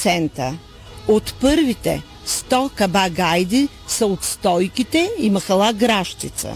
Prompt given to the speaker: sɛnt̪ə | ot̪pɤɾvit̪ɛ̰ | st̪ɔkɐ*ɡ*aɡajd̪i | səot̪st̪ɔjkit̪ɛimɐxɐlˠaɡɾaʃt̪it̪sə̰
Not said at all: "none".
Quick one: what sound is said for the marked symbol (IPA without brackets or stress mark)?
b